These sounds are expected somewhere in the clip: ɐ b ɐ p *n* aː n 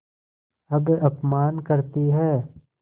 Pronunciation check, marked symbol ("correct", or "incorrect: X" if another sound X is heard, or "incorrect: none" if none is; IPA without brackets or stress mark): incorrect: m